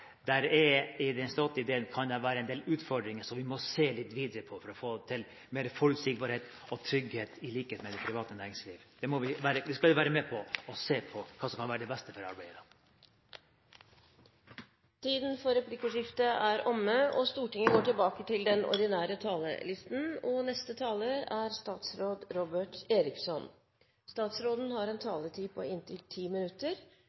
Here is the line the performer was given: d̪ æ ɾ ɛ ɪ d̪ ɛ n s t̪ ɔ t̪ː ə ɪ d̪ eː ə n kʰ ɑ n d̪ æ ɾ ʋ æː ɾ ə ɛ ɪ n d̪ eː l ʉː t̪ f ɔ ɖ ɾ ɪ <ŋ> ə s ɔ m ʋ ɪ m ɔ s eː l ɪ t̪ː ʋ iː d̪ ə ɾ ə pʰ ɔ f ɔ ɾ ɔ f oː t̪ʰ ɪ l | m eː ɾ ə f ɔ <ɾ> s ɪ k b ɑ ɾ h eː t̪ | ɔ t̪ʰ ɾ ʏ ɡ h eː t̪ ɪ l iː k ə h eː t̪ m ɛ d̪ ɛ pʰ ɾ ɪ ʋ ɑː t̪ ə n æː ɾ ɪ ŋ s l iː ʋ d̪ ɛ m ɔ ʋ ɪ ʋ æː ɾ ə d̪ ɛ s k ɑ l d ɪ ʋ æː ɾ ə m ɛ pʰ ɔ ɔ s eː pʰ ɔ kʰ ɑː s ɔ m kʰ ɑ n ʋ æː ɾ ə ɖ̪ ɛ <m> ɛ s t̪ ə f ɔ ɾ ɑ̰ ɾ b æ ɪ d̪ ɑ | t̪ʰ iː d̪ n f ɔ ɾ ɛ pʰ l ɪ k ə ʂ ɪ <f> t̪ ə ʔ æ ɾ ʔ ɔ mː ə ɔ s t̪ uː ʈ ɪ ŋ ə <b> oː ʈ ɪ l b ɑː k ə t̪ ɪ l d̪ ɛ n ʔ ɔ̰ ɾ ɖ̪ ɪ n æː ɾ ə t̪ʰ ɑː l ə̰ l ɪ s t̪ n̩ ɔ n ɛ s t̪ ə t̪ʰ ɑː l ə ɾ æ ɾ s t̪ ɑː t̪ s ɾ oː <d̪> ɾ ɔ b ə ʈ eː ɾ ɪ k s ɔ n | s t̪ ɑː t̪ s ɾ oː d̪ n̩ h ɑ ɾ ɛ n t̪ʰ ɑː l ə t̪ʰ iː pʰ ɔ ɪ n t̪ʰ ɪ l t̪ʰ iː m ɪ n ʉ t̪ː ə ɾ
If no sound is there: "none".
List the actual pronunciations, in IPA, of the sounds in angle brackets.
ŋ, l, b, f, ɡ, d̪

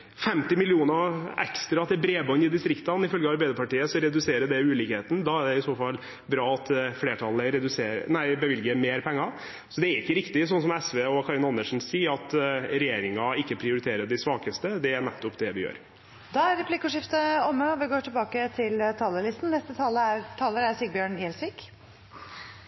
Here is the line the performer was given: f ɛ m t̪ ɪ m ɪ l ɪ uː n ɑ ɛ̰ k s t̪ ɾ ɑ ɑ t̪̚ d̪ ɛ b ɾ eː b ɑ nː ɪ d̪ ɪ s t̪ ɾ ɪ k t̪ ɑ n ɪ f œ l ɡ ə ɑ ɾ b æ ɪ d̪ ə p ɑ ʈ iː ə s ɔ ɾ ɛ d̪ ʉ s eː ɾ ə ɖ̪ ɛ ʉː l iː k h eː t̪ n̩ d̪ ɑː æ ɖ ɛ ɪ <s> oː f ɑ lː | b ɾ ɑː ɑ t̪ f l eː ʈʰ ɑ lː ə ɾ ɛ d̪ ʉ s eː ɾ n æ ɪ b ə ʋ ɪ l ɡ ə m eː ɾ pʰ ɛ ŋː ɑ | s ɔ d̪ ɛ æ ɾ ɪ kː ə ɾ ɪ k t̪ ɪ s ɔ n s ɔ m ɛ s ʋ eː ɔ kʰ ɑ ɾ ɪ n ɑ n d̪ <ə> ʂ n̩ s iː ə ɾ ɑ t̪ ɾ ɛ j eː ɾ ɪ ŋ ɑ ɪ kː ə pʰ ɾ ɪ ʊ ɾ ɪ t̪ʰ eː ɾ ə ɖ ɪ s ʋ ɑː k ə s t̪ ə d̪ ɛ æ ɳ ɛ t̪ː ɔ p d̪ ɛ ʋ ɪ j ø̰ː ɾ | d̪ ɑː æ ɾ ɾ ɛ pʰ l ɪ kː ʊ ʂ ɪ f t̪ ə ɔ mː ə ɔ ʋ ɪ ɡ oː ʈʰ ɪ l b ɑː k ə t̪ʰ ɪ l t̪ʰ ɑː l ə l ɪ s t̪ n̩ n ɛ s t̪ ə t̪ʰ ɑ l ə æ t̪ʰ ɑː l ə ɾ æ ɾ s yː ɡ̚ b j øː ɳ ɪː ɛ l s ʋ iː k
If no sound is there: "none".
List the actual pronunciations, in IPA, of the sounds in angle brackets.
s, ə

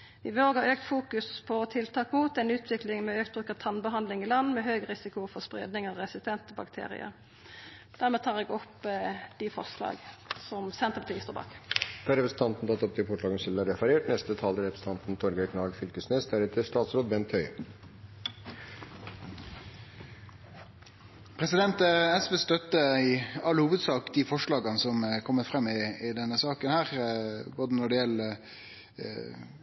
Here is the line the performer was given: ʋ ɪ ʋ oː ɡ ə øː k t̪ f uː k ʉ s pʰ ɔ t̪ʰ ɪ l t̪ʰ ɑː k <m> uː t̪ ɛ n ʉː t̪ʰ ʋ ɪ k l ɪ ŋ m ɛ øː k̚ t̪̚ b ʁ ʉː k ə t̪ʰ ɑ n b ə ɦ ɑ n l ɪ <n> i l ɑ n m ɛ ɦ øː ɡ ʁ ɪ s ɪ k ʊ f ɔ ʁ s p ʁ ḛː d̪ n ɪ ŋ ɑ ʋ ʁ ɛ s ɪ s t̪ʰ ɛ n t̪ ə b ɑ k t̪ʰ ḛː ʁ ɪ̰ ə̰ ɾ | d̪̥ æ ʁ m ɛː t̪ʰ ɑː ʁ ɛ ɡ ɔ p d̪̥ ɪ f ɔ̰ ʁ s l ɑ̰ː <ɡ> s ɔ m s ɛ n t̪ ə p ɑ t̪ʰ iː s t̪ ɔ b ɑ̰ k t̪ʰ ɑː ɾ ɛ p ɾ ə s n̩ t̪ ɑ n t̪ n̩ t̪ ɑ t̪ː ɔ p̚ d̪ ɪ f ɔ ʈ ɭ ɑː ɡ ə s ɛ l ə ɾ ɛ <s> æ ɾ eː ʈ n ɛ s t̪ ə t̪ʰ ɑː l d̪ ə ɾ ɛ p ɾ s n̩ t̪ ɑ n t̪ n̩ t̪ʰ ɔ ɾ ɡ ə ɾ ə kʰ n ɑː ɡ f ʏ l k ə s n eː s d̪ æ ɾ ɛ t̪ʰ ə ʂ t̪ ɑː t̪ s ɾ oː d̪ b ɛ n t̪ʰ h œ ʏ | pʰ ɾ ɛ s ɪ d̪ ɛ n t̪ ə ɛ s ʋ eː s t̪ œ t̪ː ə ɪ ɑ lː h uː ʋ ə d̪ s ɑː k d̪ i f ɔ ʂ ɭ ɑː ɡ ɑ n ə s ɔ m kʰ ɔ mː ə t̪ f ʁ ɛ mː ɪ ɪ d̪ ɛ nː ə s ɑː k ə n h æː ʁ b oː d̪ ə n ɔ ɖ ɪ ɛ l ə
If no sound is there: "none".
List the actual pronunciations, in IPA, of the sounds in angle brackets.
m, ŋ, ɡ, f

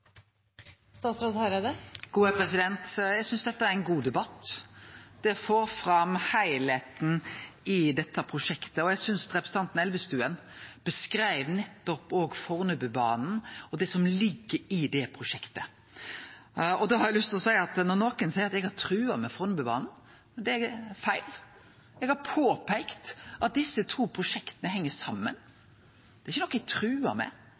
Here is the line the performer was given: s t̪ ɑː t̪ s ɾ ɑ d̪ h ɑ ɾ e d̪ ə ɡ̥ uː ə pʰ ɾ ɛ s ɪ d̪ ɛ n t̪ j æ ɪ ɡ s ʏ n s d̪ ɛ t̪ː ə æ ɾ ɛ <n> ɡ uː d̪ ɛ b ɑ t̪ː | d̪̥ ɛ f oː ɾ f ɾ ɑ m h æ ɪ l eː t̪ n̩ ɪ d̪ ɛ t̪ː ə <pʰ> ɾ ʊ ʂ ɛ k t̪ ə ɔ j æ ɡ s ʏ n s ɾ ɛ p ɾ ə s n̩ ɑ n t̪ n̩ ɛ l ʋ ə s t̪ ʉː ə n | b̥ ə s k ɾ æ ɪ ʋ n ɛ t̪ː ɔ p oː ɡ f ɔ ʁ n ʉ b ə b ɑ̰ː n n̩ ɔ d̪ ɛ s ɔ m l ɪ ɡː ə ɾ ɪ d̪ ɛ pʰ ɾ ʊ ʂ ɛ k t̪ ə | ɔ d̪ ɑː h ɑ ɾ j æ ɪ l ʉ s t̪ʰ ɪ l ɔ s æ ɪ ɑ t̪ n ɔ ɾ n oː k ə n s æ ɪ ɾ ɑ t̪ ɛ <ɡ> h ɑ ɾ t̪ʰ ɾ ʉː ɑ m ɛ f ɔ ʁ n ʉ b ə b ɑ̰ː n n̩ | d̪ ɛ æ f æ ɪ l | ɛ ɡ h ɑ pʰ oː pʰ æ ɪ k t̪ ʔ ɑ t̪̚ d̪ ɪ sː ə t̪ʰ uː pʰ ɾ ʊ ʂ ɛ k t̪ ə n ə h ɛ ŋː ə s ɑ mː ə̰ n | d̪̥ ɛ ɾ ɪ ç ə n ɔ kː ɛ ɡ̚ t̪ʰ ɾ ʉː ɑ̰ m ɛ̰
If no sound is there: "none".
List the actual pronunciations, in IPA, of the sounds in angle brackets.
n, pʰ, ɡ

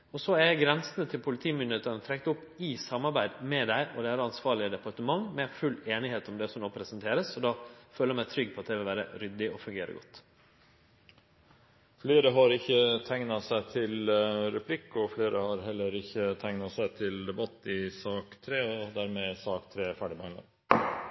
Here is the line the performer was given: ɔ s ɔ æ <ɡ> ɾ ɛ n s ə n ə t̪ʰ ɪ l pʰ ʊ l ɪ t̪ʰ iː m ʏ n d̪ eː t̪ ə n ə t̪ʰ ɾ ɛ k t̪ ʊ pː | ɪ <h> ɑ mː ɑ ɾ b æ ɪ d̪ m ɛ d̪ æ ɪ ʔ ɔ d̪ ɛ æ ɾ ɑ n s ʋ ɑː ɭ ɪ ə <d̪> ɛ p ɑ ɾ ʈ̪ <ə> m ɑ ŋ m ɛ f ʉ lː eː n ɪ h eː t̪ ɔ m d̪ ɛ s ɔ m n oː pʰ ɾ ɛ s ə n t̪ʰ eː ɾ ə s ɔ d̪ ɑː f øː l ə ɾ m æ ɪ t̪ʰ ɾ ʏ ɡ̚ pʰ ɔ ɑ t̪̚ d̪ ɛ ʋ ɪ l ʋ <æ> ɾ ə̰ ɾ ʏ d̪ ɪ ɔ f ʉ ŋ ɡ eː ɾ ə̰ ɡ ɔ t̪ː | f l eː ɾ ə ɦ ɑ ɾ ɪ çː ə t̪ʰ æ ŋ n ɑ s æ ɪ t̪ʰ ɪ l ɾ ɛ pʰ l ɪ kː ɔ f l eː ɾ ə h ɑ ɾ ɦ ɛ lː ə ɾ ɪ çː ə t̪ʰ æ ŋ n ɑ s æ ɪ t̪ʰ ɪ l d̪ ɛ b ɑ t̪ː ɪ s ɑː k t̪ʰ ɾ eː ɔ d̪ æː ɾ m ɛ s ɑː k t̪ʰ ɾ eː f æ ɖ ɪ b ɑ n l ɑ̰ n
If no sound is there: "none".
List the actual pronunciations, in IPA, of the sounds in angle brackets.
ɡ, s, d̪, ə, æː

